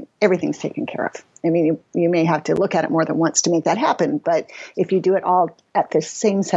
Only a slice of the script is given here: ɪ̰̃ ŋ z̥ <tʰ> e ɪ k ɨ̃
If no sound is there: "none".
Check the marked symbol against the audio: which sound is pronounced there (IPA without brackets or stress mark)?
tʰ